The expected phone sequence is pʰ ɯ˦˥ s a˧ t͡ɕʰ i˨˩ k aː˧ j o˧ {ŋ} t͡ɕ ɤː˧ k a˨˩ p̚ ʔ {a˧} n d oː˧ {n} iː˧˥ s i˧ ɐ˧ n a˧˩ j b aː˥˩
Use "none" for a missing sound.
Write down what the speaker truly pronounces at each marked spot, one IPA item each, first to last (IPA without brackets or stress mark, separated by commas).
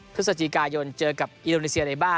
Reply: n, i˧, n